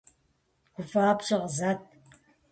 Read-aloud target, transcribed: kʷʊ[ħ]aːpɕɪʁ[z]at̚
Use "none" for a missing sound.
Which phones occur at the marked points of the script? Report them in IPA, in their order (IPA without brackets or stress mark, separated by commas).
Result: f, z